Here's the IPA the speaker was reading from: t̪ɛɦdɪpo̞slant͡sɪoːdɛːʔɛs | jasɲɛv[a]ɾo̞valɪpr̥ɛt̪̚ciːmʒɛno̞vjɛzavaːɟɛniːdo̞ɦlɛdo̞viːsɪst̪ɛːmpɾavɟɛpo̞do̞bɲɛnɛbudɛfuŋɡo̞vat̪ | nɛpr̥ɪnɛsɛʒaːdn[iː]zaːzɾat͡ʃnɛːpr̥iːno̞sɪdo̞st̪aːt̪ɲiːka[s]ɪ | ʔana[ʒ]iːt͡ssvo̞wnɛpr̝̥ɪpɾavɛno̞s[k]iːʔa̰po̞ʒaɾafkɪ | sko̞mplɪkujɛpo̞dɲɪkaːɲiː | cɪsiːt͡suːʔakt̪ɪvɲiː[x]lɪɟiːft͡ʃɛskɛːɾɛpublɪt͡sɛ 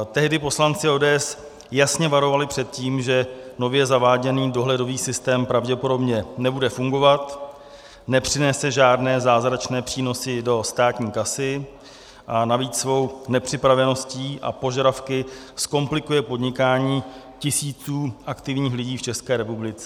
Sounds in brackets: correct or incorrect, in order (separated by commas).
correct, incorrect, correct, incorrect, incorrect, correct